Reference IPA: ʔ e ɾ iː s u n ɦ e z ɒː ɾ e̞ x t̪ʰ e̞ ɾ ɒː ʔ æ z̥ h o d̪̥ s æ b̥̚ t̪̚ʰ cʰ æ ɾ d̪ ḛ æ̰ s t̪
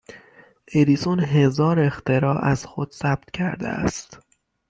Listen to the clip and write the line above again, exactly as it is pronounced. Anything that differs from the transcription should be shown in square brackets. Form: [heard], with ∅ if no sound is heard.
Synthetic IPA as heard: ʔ e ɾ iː s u n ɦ e z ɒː ɾ e̞ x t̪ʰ e̞ ɾ ɒː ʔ æ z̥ [x] o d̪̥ s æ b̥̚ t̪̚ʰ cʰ æ ɾ d̪ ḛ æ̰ s t̪